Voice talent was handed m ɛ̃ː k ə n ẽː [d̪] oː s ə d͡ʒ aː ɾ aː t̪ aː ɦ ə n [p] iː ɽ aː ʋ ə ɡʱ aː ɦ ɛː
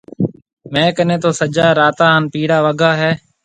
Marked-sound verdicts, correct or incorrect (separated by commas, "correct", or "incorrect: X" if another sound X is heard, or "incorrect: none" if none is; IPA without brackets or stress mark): incorrect: t̪, correct